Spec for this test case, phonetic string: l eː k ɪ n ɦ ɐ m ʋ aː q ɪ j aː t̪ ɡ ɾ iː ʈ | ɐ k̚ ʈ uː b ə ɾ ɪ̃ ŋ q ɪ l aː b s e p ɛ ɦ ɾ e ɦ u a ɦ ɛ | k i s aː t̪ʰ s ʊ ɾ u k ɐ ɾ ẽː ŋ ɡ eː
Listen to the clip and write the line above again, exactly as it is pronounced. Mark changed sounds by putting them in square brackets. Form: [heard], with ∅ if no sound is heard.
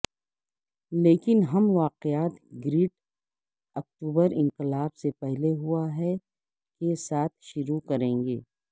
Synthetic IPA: l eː k ɪ n ɦ ɐ m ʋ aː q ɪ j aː t̪ ɡ ɾ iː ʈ | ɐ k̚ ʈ uː b ə ɾ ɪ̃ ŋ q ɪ l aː b s e p ɛ ɦ [l] e ɦ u a ɦ ɛ | k [e] s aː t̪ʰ [ʃ] ʊ ɾ u k ɐ ɾ ẽː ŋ ɡ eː